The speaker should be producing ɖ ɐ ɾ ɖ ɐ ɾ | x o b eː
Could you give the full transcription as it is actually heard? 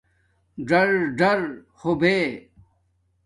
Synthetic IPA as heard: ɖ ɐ ɾ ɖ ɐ ɾ | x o b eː